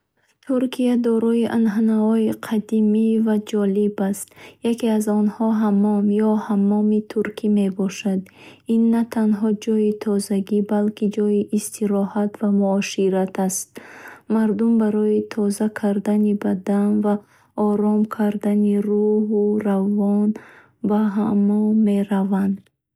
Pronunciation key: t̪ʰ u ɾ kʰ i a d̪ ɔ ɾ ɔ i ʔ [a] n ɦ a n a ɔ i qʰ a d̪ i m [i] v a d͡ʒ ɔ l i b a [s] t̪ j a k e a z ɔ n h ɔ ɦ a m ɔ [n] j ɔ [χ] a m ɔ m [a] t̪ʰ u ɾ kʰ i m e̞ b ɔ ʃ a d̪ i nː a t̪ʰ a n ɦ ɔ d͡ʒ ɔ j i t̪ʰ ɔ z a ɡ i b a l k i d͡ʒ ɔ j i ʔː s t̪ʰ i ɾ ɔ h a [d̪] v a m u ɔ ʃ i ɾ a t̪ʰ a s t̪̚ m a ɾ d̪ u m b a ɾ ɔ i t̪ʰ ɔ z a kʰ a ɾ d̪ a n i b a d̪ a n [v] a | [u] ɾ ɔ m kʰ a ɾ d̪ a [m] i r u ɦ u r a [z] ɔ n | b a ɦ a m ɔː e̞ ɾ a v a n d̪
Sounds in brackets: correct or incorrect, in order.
correct, correct, correct, incorrect: m, incorrect: h, incorrect: i, incorrect: t̪, correct, incorrect: ɔ, incorrect: n, incorrect: v

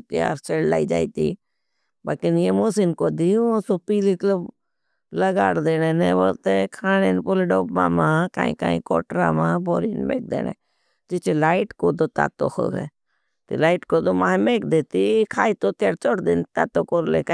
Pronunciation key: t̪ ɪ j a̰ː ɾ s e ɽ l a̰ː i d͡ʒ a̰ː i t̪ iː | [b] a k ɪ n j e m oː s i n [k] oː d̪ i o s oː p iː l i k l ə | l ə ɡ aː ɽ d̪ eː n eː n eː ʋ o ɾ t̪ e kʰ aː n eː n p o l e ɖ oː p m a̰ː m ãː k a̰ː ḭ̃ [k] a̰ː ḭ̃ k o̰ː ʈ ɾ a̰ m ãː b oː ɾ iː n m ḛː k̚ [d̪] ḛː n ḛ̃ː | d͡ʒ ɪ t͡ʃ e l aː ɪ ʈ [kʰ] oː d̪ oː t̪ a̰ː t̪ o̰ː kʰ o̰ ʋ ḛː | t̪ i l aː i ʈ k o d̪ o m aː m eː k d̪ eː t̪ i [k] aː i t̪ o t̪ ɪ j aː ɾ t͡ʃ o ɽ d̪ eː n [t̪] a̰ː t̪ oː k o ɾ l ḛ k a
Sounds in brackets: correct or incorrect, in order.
correct, correct, correct, correct, incorrect: k, incorrect: kʰ, correct

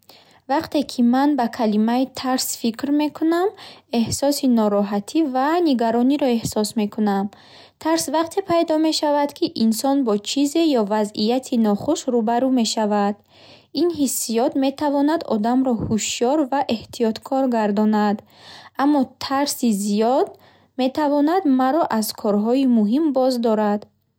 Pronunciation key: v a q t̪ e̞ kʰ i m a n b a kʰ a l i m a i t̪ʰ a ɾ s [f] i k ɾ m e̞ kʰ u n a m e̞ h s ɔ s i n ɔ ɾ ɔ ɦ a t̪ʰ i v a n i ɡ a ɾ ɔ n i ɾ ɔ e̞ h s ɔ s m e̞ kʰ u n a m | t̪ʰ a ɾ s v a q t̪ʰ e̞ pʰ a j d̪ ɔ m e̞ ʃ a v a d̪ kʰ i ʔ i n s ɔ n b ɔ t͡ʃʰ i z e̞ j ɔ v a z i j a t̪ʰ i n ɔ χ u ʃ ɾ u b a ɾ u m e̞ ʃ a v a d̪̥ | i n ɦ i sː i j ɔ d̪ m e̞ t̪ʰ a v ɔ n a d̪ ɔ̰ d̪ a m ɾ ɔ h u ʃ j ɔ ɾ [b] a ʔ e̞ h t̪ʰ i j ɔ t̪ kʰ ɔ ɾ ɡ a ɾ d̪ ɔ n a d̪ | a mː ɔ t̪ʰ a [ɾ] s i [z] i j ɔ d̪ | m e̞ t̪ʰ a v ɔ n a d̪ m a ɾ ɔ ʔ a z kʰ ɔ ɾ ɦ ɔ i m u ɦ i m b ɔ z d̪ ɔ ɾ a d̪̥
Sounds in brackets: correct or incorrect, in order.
correct, incorrect: v, correct, correct

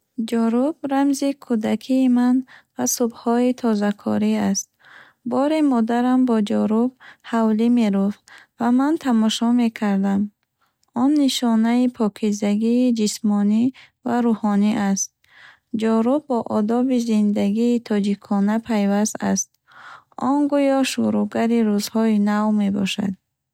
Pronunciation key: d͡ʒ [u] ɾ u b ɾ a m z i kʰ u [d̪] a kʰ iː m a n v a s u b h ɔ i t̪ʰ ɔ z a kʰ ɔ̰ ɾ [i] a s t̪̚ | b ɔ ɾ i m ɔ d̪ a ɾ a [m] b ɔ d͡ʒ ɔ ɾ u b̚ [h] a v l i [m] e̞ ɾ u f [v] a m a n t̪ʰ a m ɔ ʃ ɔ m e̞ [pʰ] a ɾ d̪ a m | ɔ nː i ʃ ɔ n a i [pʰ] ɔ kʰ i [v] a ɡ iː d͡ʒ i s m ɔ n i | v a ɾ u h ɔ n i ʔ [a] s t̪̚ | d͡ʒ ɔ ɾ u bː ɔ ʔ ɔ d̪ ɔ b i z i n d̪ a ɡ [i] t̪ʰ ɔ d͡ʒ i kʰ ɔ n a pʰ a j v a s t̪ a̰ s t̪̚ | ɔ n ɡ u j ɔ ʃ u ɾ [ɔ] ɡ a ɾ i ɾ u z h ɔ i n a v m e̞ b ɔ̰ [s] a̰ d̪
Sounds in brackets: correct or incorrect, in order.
incorrect: ɔ, correct, correct, correct, correct, correct, correct, incorrect: kʰ, correct, incorrect: z, correct, incorrect: iː, incorrect: u, incorrect: ʃ

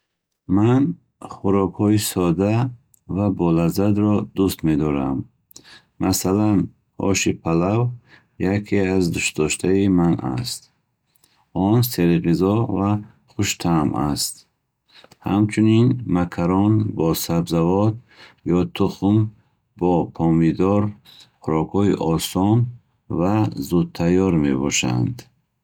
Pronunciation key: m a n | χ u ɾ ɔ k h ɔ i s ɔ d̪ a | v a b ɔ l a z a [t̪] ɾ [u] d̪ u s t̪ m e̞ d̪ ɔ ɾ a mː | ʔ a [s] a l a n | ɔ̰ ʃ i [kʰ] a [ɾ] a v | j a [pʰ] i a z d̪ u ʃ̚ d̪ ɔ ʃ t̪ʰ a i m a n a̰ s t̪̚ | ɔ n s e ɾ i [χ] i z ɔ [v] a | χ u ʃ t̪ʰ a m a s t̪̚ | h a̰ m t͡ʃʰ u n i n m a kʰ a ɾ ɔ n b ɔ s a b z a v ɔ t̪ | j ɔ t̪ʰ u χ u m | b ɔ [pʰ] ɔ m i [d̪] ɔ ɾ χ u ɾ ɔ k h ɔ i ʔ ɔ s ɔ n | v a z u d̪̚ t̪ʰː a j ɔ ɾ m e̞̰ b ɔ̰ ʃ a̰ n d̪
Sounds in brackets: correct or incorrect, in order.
incorrect: d̪, incorrect: ɔ, correct, incorrect: pʰ, incorrect: l, incorrect: kʰ, incorrect: ʁ, correct, correct, correct

